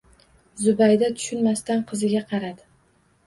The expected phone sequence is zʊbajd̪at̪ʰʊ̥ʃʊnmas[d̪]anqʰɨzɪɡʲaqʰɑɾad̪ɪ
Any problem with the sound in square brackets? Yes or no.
yes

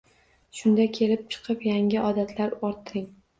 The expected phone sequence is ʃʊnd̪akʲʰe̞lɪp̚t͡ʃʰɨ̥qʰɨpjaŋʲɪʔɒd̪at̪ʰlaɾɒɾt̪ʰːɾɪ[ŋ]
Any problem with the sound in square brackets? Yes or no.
no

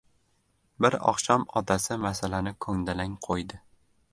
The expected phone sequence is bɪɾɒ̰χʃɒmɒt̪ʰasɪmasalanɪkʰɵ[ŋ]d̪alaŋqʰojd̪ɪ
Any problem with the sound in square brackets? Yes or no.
no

